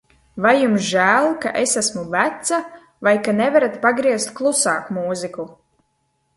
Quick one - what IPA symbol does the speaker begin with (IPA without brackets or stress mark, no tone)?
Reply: v